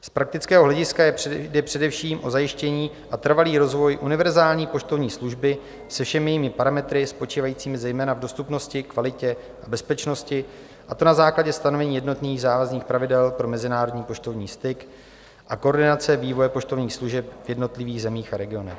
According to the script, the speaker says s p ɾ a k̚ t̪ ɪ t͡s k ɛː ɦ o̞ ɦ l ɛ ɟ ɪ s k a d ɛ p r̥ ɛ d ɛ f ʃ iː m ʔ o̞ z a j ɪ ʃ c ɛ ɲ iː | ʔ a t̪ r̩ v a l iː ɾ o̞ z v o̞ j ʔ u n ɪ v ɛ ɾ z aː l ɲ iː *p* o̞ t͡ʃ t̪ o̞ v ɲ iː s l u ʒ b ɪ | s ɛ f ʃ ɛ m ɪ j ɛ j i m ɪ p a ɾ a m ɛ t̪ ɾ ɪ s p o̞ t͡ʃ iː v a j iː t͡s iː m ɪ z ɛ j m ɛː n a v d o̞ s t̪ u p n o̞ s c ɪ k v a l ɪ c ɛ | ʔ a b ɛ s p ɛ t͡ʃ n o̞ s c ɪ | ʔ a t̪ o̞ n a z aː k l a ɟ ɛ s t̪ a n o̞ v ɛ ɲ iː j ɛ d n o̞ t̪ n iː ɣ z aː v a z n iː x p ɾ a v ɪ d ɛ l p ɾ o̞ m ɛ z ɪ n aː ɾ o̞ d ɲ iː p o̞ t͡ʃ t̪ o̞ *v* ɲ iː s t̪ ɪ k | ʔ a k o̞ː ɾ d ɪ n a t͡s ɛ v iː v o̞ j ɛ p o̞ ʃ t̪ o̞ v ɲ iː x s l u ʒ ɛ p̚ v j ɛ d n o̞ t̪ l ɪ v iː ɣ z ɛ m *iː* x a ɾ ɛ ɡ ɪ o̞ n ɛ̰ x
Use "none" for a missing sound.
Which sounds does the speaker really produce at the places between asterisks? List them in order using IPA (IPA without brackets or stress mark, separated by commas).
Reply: p, v, iː